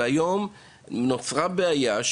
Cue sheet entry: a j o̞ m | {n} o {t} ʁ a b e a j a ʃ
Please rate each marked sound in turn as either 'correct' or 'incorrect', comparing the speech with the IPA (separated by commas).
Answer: correct, incorrect